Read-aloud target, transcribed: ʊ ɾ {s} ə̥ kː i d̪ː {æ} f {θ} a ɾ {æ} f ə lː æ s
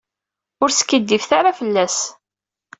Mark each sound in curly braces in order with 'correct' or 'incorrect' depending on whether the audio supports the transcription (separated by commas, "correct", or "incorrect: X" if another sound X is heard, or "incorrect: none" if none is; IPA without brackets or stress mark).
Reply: correct, incorrect: i, correct, incorrect: a